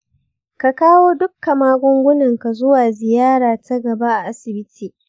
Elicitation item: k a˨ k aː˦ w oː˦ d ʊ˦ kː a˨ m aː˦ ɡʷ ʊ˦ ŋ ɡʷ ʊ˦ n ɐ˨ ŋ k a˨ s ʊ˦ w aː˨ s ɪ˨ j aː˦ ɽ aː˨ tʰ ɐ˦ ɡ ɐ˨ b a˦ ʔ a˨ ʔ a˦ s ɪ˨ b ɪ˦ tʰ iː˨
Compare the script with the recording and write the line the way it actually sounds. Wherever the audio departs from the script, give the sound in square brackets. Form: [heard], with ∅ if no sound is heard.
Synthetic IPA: k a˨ k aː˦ w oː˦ d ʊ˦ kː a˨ m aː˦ ɡʷ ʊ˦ ŋ ɡʷ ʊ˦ n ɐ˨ ŋ k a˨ [z] ʊ˦ w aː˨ [z] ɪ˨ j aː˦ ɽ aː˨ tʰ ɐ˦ ɡ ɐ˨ b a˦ ʔ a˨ ʔ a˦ s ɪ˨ b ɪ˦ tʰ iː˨